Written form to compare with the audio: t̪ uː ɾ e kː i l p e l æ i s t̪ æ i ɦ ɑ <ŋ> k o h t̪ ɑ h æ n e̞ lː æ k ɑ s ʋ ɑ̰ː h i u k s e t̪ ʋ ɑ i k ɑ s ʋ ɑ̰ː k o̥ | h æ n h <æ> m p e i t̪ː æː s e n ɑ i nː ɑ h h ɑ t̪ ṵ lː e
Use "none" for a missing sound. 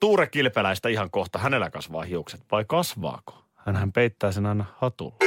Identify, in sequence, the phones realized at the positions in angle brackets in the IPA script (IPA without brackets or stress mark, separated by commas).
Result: ŋ, æ